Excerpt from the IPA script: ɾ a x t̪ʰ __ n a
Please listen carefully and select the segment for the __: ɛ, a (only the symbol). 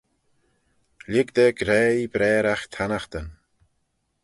a